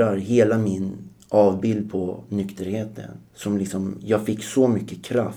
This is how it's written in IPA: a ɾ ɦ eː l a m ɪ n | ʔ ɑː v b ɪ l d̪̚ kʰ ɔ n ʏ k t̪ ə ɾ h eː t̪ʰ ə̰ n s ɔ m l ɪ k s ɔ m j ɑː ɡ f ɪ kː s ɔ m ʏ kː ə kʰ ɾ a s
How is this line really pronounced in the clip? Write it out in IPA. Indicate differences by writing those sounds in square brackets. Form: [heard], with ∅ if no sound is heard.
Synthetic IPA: a ɾ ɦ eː l a m ɪ n | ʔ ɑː v b ɪ l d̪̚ [pʰ] ɔ n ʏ k t̪ ə ɾ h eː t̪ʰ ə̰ n s ɔ m l ɪ k s ɔ m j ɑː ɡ f ɪ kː s ɔ m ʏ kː ə kʰ ɾ a [f]